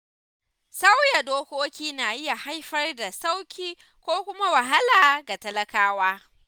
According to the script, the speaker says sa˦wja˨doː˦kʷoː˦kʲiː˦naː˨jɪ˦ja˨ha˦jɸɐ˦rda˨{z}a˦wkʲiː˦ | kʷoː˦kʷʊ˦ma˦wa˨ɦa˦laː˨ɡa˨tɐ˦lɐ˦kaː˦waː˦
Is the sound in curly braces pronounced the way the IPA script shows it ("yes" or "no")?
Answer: no